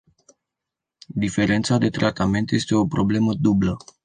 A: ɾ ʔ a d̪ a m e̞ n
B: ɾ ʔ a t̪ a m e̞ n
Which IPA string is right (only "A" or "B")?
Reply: B